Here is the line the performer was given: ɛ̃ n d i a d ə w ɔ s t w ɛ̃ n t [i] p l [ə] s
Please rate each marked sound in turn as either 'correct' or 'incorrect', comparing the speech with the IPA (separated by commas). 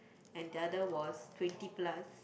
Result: correct, incorrect